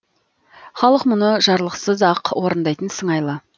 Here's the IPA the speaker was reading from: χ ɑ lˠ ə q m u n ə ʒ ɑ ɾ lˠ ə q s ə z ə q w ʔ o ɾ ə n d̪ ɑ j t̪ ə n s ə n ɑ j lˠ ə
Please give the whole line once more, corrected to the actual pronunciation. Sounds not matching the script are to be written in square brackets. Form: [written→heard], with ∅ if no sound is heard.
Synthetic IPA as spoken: χ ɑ lˠ ə q m [u→ʊ] n ə ʒ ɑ ɾ lˠ ə q s ə z [ə→ɑ] q w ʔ o ɾ ə n d̪ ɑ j t̪ ə n s ə [n→ɴ] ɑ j lˠ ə